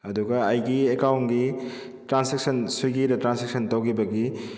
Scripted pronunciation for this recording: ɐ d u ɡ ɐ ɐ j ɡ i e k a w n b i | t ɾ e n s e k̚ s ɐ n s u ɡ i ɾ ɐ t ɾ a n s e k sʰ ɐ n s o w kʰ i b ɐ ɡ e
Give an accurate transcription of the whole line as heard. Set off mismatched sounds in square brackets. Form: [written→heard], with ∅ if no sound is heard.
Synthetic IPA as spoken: ɐ d u ɡ ɐ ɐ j ɡ i e k a w n [b→ɡ] i | t ɾ [e→a] n s e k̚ s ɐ n s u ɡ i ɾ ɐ t ɾ a n s e k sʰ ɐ n [s→t] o w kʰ i b ɐ ɡ [e→i]